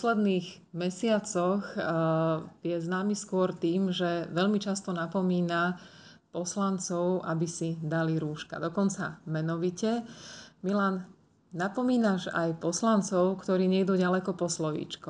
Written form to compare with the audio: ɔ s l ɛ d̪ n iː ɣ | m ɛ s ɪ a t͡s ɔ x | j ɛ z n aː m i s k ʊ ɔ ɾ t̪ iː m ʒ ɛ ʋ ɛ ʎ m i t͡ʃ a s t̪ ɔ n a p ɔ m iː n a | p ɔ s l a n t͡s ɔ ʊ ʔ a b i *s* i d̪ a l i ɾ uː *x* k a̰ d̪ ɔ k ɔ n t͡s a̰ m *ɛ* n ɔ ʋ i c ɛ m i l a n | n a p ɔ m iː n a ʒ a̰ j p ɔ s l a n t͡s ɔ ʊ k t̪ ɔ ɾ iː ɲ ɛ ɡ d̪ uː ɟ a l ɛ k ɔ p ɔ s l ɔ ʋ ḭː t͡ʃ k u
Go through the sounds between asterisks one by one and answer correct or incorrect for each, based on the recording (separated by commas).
correct, incorrect, correct